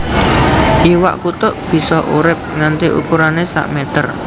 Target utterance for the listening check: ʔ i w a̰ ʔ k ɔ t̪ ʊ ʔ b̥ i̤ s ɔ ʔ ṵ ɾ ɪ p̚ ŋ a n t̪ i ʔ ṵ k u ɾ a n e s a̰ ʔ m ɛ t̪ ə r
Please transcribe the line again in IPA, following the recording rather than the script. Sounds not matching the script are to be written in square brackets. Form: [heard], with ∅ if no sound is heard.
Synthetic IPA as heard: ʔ i w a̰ ʔ k [u] t̪ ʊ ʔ b̥ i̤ s ɔ ʔ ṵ ɾ ɪ p̚ ŋ a n t̪ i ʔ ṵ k u ɾ a n e s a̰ ʔ m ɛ t̪ ə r

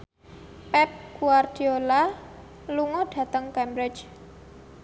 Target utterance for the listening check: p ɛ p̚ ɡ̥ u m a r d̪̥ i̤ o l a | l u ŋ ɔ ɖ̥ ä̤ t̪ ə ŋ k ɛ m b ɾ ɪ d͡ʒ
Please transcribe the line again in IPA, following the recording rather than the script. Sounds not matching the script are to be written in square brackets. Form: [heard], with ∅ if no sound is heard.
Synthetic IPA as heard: p ɛ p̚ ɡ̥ u [∅] a r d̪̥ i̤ o l a | l u ŋ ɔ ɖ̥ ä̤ t̪ ə ŋ k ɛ m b ɾ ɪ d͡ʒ

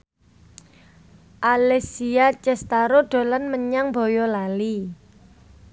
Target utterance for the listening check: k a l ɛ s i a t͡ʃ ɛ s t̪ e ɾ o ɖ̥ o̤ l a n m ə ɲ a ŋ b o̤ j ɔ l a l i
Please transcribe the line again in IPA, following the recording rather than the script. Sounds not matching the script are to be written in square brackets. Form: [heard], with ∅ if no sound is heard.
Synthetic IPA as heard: [ʔ] a l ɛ s i a t͡ʃ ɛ s t̪ [a] ɾ o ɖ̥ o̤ l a n m ə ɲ a ŋ b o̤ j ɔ l a l i

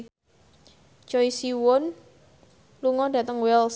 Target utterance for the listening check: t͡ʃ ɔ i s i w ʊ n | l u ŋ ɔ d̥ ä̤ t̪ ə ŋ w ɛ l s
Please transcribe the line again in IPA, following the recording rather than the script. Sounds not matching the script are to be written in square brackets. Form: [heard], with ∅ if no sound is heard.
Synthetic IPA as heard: t͡ʃ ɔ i s i w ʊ n | l u ŋ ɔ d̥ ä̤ t̪ ə ŋ w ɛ l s

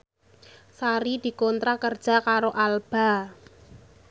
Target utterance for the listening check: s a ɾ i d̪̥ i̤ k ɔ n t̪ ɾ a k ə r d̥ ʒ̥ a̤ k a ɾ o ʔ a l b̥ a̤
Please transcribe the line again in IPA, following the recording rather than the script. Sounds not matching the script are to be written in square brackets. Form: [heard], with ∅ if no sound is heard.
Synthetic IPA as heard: s a ɾ i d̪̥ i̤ k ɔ n t̪ ɾ a k ə r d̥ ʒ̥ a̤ k a ɾ o ʔ a l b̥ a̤

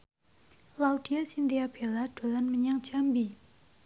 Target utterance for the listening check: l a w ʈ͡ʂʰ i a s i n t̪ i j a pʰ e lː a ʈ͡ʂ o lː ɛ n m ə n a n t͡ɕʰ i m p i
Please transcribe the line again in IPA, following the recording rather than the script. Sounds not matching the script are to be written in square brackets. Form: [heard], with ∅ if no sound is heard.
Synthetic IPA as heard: l a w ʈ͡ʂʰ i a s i n [d̪] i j a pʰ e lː a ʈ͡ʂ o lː [a] n m ə [ɲ] a [ŋ] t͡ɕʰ [a] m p i

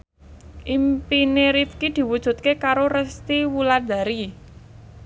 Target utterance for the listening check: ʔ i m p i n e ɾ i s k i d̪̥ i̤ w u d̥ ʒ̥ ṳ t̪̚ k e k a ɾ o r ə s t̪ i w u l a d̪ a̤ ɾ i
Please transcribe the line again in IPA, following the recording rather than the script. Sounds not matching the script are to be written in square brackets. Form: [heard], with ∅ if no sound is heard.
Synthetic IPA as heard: ʔ i m p i n e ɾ i [f] k i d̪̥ i̤ w u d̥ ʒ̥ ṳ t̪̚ k e k a ɾ o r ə s t̪ i w u l a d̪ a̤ ɾ i

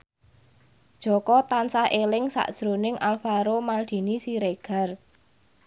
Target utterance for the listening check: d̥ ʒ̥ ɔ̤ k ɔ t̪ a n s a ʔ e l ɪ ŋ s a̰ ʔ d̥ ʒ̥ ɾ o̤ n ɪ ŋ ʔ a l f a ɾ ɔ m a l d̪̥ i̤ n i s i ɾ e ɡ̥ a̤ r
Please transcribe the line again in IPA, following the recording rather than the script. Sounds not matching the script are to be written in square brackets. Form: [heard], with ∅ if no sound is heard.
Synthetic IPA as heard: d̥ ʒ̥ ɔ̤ k ɔ t̪ a n s a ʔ e l ɪ ŋ s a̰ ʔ d̥ ʒ̥ ɾ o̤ n ɪ ŋ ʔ a l f a ɾ [o] m a l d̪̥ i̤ n i s i ɾ e ɡ̥ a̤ r

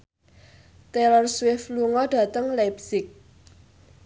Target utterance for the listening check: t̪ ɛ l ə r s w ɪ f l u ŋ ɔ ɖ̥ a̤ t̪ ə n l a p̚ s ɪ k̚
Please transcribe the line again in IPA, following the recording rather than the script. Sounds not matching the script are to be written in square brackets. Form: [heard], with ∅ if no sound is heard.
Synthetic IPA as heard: t̪ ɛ l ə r s w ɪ f l u ŋ ɔ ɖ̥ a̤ t̪ ə [ŋ] l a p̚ s ɪ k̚

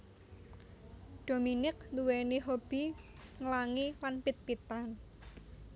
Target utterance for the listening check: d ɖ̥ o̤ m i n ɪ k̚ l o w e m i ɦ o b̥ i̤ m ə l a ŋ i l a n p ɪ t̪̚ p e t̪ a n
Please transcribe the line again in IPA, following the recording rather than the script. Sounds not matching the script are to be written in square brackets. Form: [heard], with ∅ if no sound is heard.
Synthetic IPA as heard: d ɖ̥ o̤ m i n ɪ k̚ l [u] w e [n] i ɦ o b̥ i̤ [ŋ] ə l a ŋ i l a n p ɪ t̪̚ p [i] t̪ a n

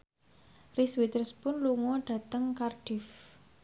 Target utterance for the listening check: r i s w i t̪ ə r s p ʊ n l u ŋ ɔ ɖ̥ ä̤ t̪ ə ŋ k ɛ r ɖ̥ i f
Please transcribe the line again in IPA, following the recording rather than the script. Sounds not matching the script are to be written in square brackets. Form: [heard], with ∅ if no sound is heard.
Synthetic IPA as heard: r i s w i t̪ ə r s p ʊ n l u ŋ ɔ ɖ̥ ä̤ t̪ ə ŋ k [a] r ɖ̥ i f

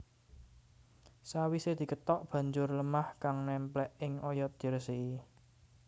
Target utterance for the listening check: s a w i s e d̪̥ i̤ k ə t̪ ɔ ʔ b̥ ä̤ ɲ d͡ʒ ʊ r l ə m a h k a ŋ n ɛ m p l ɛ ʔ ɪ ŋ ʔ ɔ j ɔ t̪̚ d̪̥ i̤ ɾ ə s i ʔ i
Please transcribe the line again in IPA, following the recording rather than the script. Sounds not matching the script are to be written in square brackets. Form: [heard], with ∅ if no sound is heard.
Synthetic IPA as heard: s a w i s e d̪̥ i̤ k ə t̪ ɔ ʔ b̥ ä̤ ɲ d͡ʒ ʊ r l ə m a h k a ŋ n ɛ m p l ɛ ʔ ɪ ŋ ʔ ɔ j ɔ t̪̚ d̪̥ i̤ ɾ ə s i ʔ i

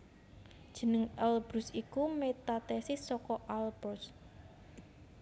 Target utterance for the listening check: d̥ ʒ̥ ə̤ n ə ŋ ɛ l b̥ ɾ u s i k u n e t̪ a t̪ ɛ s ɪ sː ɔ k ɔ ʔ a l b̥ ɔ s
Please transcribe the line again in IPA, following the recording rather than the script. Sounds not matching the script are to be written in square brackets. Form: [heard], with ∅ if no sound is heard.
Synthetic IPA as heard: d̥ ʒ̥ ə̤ n ə ŋ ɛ l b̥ ɾ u s i k u [m] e t̪ a t̪ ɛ s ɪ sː ɔ k ɔ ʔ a l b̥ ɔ s

